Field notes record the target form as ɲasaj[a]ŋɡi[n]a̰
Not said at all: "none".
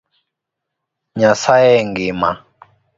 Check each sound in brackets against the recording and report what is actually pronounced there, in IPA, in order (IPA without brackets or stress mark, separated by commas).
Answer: ɛ, m